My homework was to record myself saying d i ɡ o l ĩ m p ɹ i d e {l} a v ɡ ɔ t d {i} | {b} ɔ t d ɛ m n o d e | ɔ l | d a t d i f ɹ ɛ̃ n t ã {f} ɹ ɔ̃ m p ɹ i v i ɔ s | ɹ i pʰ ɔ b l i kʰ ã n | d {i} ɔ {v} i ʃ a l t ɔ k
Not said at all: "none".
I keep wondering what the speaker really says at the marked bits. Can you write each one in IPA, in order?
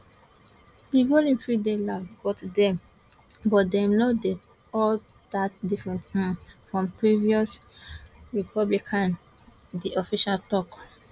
l, ɛ, b, f, i, f

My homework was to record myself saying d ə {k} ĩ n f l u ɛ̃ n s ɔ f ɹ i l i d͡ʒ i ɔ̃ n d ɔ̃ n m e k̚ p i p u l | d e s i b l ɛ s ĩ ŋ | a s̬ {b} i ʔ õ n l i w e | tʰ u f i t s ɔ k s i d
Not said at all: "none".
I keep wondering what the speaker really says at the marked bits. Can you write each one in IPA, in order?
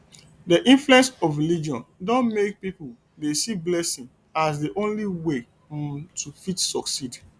ʔ, d

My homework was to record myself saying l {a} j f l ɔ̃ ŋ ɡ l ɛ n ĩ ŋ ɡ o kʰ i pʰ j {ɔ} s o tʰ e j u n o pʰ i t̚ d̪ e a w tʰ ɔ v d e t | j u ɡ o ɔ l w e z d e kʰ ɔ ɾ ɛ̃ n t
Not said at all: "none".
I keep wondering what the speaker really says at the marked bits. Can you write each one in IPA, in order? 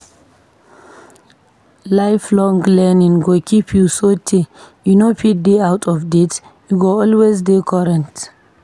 a, u

